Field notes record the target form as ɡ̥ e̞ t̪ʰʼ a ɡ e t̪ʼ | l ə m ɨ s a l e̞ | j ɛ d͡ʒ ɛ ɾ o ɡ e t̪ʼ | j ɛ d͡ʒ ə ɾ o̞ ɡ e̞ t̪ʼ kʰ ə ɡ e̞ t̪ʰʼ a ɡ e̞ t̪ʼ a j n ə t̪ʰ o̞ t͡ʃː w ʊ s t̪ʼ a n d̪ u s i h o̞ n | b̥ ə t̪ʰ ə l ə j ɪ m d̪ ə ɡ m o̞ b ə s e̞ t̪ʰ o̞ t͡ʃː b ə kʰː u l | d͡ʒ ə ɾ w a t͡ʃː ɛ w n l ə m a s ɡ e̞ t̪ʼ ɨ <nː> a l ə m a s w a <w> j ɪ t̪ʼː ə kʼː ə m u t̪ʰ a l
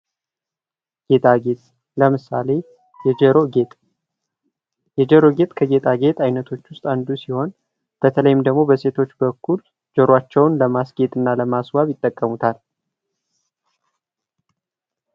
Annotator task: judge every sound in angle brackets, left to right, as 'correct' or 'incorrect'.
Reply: correct, incorrect

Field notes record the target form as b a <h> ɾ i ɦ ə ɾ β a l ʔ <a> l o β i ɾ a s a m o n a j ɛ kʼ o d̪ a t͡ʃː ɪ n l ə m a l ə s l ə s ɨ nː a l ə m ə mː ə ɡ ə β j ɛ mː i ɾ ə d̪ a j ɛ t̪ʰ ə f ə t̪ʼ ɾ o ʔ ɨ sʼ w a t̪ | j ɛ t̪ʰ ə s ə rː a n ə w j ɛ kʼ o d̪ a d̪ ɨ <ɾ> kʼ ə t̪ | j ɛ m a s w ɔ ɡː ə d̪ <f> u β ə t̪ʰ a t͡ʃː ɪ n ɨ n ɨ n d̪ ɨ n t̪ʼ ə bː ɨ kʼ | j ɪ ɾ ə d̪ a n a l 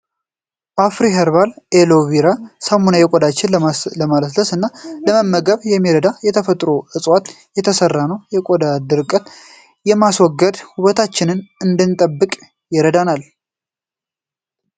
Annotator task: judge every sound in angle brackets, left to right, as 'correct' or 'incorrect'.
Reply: incorrect, incorrect, correct, incorrect

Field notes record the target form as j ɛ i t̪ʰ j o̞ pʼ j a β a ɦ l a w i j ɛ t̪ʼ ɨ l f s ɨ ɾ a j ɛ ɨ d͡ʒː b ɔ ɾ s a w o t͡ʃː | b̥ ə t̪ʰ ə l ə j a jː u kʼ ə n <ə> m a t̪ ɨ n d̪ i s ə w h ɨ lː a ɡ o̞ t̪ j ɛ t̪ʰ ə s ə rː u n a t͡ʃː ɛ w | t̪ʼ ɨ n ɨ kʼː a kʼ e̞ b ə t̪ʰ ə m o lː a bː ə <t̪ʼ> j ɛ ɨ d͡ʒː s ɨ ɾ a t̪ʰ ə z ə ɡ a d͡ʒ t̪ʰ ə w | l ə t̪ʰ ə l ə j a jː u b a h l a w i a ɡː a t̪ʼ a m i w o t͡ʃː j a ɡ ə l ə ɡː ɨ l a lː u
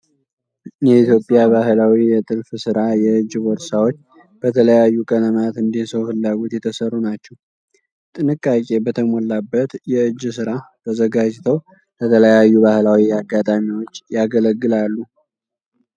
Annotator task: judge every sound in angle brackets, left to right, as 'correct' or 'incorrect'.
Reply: correct, incorrect

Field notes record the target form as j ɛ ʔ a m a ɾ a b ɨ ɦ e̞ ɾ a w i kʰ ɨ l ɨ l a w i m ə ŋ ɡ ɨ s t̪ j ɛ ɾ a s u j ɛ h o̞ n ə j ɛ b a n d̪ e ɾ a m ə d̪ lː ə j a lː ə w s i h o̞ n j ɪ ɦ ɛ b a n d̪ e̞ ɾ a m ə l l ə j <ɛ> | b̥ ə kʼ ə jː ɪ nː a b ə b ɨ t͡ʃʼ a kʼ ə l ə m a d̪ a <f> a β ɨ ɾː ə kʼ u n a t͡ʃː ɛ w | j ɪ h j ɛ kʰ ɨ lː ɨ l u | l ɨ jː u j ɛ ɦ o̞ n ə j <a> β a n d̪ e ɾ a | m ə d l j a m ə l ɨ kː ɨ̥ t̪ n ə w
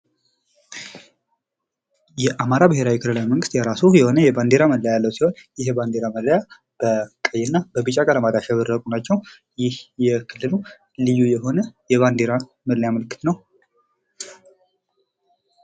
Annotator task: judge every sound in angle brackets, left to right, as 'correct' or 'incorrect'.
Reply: incorrect, incorrect, incorrect

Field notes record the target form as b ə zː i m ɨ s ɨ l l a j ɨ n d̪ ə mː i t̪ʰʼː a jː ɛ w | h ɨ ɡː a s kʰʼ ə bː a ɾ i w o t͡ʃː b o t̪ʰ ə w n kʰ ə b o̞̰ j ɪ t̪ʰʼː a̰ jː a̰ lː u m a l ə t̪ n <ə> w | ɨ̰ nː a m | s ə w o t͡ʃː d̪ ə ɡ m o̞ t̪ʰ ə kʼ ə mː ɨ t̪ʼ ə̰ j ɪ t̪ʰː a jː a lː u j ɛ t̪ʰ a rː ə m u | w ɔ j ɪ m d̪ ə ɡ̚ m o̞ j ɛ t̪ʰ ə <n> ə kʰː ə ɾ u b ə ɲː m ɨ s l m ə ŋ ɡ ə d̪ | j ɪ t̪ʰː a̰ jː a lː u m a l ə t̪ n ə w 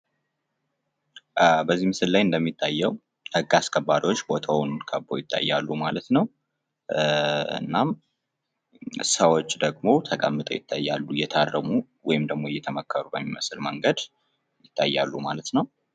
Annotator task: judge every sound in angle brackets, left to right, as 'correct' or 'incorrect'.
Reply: correct, incorrect

